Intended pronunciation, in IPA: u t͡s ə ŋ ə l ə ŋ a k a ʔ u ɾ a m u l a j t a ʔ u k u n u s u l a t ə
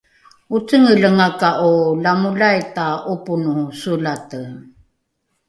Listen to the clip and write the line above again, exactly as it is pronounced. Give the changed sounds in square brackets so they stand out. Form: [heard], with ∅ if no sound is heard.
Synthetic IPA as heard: u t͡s ə ŋ ə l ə ŋ a k a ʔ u [l] a m u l a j t a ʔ u [p] u n u s u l a t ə